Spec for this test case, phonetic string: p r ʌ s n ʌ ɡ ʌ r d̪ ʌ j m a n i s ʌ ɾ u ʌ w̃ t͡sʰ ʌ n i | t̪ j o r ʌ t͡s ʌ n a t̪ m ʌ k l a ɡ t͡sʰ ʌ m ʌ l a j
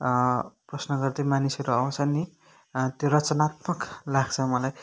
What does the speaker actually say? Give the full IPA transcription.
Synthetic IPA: p r ʌ s n ʌ ɡ ʌ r d̪ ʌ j m a n i s ʌ ɾ u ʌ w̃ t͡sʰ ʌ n i | t̪ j o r ʌ t͡s ʌ n a t̪ m ʌ k l a ɡ t͡sʰ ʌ m ʌ l a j